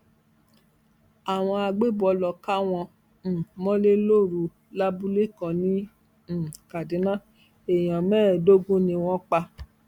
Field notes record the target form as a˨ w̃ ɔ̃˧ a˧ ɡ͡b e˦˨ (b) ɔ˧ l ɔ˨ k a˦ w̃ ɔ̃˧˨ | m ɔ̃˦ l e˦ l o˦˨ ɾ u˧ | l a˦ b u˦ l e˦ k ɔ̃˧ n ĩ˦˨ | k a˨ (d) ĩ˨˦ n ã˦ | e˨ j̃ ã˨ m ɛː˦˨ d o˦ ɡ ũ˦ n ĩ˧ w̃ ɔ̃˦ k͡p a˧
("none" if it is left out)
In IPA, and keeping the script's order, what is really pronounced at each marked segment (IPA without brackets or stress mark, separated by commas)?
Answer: b, d